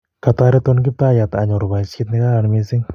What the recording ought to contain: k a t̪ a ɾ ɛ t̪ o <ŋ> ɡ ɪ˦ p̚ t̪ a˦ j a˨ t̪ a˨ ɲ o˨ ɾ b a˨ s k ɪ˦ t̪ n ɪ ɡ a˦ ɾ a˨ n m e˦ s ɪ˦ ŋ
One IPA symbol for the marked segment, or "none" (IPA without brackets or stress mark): n